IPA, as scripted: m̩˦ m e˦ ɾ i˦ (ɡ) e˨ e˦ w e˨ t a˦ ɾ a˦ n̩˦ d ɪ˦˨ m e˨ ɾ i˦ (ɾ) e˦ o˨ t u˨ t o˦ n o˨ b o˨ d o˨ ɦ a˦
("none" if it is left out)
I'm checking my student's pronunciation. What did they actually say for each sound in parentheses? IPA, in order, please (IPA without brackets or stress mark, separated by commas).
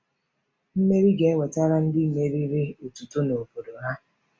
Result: ɡ, ɾ